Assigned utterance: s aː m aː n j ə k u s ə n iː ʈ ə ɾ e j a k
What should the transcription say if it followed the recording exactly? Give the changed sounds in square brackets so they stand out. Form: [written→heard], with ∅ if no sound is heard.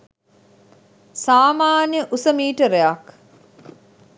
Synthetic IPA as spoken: s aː m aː n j ə [k→ʔ] u s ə [n→m] iː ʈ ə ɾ e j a k